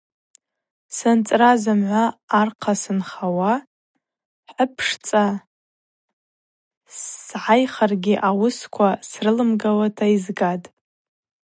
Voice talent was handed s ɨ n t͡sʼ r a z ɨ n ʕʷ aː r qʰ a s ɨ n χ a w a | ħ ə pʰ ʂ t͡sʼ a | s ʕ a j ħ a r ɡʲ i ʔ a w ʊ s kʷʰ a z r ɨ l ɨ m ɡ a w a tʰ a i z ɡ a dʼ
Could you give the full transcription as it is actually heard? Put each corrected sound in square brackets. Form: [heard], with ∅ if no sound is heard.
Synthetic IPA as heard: s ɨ n t͡sʼ r a z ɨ [m] ʕʷ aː r qʰ a s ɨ n χ a w a | ħ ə pʰ ʂ t͡sʼ a | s ʕ a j [χ] a r ɡʲ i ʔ a w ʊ s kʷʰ a [s] r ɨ l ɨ m ɡ a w a tʰ a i z ɡ a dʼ